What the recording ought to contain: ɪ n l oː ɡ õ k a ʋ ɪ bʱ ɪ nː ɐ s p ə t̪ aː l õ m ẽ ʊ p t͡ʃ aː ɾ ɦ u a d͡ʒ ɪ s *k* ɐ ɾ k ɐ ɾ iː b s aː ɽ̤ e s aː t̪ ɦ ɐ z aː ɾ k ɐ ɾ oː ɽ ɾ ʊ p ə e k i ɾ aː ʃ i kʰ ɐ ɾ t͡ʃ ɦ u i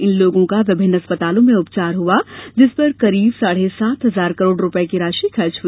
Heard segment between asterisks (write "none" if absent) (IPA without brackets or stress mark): p